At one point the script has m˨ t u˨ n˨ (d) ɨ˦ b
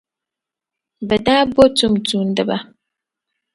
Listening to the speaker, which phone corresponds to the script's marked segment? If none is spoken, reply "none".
d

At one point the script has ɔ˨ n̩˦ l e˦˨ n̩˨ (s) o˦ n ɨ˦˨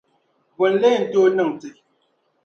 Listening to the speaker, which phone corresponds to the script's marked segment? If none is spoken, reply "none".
t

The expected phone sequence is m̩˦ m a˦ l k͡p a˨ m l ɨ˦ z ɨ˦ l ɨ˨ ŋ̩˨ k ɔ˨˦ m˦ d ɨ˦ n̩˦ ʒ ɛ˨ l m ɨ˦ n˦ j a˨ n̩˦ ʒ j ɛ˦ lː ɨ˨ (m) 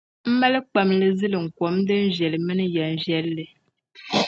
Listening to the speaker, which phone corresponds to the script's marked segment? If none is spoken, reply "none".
none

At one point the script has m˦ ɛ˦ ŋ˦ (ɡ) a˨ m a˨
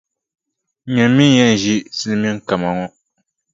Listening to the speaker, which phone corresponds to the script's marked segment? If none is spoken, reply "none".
k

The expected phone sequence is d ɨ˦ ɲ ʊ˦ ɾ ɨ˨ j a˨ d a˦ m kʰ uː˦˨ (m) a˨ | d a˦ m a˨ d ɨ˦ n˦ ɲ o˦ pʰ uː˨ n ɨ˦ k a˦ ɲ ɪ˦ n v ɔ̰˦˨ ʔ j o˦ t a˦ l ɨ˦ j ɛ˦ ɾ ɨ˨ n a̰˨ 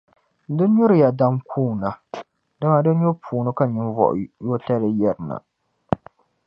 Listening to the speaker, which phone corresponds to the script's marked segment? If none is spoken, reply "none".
n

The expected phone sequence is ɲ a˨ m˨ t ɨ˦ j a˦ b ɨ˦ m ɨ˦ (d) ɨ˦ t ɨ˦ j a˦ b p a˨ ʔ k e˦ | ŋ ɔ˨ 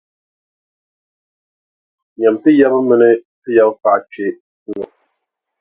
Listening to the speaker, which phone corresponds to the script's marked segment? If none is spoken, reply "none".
n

